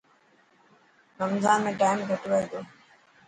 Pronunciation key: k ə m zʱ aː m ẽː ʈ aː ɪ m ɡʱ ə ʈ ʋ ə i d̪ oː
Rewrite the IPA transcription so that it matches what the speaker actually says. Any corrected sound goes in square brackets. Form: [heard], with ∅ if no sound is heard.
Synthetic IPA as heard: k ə m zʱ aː m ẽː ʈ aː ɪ m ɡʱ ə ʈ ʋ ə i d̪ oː